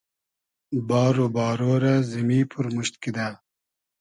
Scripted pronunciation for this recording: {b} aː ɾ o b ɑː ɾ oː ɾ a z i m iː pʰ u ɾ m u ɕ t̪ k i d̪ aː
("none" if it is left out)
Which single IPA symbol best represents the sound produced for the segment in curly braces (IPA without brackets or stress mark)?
b